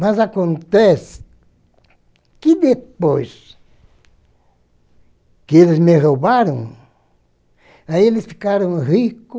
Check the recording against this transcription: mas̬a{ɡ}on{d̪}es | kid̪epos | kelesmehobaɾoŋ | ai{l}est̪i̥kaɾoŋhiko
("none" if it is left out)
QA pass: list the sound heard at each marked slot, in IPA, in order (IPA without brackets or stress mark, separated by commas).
k, t̪, l